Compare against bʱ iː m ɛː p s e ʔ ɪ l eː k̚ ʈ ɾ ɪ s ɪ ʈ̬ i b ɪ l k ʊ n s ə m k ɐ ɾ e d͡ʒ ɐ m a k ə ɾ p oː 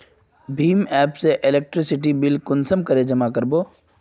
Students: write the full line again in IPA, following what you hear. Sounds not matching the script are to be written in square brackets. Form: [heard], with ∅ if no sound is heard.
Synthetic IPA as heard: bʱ iː m ɛː p s e ʔ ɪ l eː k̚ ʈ ɾ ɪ s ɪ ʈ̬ i b ɪ l k ʊ n s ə m k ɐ ɾ e d͡ʒ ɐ m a k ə ɾ [b] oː